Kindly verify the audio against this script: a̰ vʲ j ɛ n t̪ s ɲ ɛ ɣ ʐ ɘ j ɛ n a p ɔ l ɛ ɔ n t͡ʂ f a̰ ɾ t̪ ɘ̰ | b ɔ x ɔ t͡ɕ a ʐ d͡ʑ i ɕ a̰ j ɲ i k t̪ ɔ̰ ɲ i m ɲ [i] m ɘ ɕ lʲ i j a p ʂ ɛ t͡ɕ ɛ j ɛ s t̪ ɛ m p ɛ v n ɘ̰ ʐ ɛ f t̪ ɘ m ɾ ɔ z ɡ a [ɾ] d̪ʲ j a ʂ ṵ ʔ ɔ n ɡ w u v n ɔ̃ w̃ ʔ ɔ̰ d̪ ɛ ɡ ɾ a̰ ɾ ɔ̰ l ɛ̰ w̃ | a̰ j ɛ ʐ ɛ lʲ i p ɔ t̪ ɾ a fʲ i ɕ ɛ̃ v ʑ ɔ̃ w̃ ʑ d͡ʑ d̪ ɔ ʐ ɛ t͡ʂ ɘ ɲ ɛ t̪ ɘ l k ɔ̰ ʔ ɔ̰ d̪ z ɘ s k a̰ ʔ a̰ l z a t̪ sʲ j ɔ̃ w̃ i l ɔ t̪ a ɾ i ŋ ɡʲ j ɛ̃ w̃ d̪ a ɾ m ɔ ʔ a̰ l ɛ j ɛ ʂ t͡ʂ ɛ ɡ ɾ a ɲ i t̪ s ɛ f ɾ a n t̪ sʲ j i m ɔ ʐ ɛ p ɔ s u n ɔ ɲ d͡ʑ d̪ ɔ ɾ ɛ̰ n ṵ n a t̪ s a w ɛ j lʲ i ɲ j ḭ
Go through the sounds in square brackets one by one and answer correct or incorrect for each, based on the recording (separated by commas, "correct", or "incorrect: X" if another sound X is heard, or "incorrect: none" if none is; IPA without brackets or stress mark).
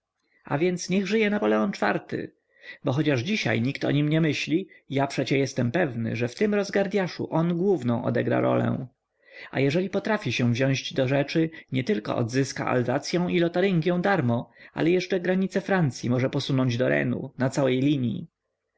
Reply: incorrect: ɛ, correct